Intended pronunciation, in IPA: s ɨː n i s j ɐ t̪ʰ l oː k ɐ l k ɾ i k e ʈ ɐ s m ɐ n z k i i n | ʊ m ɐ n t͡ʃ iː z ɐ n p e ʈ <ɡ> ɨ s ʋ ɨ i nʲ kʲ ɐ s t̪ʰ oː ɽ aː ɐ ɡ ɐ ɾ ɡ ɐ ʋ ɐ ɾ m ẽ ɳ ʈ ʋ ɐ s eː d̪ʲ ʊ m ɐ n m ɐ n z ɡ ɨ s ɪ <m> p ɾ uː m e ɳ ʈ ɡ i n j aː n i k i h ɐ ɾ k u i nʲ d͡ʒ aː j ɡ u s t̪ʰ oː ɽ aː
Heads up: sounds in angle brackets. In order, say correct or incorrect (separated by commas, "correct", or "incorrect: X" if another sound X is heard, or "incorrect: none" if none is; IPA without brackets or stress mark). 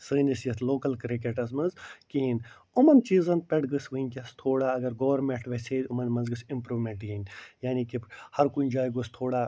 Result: correct, correct